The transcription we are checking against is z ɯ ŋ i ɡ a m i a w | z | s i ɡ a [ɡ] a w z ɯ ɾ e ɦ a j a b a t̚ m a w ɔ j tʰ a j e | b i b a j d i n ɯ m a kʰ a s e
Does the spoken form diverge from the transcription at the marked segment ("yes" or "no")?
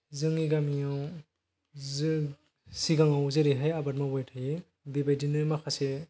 yes